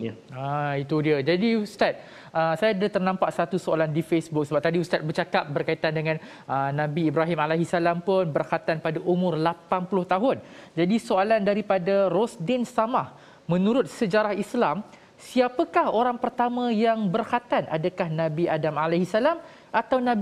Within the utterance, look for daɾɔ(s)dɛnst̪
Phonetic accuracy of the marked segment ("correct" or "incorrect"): correct